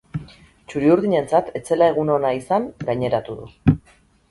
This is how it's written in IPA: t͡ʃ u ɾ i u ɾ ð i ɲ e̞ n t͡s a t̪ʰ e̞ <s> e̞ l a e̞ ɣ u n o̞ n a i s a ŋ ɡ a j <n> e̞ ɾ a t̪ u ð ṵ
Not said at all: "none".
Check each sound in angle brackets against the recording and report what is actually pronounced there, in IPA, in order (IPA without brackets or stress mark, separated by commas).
t͡s, ɲ